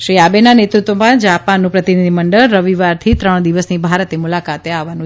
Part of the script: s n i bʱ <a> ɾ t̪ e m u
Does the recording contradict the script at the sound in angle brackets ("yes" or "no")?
no